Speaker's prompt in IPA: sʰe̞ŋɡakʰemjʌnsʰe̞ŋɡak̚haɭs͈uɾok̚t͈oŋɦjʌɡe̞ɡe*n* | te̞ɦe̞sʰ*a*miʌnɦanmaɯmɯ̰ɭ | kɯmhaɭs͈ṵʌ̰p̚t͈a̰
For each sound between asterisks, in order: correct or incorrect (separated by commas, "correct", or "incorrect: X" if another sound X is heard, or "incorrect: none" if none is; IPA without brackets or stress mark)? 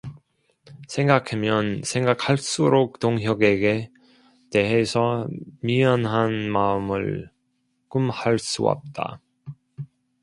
incorrect: none, incorrect: ʌ